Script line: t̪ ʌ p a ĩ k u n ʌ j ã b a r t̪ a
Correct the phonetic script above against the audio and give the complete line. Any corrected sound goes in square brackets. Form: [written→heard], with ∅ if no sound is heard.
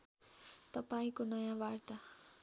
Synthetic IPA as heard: t̪ ʌ p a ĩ k [u→o] n ʌ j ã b a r t̪ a